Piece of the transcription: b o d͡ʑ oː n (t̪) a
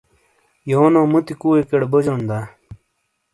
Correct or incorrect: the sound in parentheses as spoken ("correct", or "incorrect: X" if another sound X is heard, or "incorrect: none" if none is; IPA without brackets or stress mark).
incorrect: d̪